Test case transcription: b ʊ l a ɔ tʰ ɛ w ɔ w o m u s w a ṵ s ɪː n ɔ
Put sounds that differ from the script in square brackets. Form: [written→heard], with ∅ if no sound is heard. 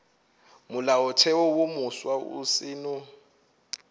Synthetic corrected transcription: [b→m] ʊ l a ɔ tʰ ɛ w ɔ w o m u s w a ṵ s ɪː n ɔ